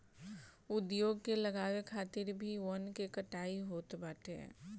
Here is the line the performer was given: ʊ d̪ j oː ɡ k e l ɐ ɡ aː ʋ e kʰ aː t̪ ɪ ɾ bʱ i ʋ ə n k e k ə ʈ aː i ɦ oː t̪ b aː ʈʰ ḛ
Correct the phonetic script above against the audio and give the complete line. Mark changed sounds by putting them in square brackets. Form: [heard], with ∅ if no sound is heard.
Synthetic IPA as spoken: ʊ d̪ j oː ɡ k e l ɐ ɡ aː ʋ e kʰ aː t̪ ɪ ɾ bʱ i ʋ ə n k e k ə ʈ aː i ɦ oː t̪ b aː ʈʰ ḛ